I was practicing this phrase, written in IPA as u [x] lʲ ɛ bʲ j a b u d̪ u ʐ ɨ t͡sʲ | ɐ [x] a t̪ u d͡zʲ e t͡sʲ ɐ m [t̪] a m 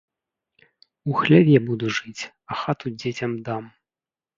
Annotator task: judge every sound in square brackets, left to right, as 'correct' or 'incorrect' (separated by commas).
correct, correct, incorrect